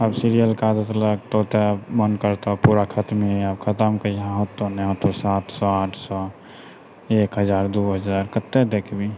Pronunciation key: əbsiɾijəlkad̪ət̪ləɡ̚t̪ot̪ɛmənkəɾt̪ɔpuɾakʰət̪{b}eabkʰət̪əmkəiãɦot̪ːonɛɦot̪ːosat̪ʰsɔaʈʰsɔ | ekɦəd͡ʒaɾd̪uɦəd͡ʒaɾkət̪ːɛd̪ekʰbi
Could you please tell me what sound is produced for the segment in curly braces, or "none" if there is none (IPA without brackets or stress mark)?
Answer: m